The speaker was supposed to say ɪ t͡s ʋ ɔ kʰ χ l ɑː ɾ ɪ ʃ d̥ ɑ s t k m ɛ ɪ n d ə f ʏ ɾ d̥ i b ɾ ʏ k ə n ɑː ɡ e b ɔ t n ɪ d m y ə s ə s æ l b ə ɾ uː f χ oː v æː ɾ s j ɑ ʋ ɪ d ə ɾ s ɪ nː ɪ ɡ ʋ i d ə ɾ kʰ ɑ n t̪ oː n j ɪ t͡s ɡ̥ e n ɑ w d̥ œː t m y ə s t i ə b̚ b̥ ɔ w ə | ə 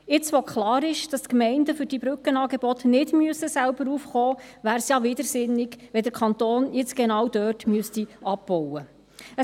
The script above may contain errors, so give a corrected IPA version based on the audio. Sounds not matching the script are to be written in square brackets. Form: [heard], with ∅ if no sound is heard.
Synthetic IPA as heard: ɪ t͡s ʋ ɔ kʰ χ l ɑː ɾ ɪ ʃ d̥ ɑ s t k m ɛ ɪ n d ə f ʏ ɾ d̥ i b ɾ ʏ k ə n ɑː ɡ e b ɔ t n ɪ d m y ə s ə s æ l b ə ɾ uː f χ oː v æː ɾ s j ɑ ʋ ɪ d ə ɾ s ɪ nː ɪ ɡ ʋ [ɛ] d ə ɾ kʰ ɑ n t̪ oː n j ɪ t͡s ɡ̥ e n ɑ w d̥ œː t m y ə s t i [ɑ] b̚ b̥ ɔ w ə | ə